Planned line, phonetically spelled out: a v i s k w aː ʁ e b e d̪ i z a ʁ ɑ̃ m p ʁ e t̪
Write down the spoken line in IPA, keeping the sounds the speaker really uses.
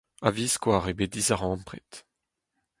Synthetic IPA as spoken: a v i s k w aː ʁ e b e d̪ i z a ʁ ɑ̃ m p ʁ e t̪